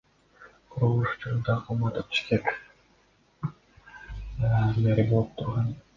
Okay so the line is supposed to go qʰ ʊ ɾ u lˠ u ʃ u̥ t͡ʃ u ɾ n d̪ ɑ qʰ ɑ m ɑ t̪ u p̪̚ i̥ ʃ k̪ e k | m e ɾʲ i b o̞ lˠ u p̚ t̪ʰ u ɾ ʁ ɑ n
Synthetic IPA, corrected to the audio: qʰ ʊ ɾ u lˠ u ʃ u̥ t͡ʃ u ɾ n d̪ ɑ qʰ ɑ m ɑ t̪ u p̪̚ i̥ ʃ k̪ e k | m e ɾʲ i b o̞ lˠ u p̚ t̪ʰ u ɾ ʁ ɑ n